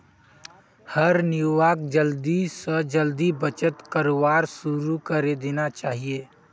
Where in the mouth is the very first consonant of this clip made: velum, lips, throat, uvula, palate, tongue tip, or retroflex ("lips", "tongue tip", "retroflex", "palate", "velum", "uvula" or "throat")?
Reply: throat